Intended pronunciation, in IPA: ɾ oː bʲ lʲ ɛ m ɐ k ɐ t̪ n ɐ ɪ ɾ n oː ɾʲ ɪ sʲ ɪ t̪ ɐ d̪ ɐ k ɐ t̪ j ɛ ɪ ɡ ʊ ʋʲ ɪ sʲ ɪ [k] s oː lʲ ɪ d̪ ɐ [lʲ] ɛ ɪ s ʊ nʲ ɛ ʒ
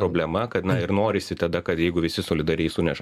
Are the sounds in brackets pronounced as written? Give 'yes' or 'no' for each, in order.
no, no

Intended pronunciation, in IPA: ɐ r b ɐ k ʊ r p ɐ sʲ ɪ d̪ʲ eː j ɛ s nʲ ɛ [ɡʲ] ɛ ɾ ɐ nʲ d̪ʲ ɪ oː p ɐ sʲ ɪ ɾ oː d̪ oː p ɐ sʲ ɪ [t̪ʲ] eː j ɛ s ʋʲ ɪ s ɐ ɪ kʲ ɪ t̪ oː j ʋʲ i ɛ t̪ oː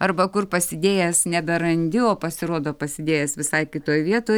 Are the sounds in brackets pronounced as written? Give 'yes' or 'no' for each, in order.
no, no

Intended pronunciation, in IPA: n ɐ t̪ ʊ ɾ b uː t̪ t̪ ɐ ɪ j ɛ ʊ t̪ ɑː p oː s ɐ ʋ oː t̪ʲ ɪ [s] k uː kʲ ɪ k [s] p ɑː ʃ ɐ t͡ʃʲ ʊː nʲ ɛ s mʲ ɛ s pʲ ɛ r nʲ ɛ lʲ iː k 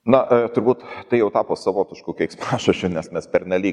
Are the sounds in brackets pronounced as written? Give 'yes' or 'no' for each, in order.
no, yes

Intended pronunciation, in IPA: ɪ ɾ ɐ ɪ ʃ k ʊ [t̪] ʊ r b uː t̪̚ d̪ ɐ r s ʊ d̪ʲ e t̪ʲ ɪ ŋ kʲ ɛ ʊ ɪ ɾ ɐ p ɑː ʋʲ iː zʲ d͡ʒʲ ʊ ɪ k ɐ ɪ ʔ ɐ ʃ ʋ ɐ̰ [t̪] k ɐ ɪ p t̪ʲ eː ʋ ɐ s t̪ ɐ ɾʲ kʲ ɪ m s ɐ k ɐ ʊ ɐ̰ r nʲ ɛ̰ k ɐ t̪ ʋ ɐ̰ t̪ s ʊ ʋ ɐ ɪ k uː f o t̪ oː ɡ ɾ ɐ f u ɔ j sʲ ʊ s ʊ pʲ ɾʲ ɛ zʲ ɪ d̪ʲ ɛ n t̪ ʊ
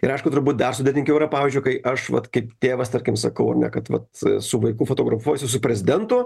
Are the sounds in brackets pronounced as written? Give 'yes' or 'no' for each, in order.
yes, yes

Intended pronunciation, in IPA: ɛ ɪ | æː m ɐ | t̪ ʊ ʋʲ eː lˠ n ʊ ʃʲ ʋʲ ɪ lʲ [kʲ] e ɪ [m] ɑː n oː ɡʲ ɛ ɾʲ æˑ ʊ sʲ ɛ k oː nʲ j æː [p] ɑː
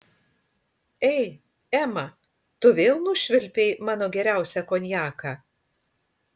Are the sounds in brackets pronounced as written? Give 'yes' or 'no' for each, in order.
no, yes, no

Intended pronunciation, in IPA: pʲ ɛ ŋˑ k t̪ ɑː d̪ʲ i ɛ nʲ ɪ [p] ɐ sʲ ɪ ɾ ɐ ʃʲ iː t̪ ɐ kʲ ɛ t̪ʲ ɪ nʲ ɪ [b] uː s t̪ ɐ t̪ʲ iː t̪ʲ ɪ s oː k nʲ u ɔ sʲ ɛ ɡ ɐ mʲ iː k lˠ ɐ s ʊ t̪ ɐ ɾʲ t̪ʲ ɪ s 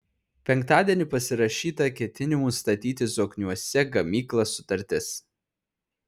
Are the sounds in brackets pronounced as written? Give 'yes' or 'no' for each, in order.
yes, no

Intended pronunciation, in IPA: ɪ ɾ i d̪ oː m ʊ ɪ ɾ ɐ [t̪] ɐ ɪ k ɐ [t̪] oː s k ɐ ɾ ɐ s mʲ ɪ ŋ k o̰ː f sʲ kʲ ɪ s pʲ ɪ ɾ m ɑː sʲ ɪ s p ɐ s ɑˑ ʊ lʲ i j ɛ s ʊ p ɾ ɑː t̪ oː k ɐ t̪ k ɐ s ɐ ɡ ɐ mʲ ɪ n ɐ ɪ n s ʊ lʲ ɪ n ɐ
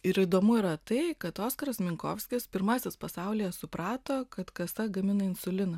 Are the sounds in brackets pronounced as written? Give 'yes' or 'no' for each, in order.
yes, yes

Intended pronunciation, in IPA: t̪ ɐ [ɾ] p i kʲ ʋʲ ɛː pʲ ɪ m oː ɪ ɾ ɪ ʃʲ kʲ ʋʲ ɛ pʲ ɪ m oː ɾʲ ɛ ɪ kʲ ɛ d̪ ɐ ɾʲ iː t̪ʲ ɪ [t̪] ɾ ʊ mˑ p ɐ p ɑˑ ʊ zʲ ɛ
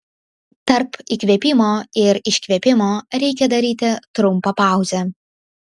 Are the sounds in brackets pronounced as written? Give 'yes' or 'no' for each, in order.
yes, yes

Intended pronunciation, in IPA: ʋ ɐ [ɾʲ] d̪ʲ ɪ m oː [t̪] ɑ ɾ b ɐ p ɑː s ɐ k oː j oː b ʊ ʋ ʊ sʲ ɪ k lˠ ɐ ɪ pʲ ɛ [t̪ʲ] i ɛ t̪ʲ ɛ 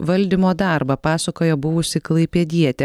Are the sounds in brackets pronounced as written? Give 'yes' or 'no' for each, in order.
no, no, no

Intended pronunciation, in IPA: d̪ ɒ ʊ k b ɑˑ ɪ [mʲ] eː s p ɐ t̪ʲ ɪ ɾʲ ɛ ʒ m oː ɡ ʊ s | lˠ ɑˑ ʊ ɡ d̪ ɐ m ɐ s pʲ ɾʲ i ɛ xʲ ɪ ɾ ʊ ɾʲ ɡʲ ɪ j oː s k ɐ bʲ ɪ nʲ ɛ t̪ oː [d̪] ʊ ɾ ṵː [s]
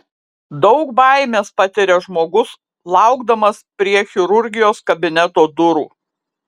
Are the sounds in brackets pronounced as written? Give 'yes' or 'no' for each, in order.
yes, yes, no

